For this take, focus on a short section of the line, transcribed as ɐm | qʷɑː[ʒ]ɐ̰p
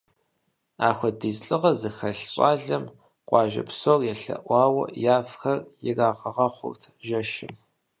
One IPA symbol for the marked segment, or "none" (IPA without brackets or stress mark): ʒ